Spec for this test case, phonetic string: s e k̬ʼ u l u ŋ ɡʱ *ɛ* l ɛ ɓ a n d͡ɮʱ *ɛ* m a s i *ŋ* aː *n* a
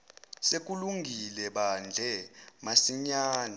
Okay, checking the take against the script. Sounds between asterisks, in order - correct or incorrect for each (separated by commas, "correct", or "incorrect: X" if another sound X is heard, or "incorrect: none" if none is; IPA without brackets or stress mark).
incorrect: i, correct, incorrect: ɲ, correct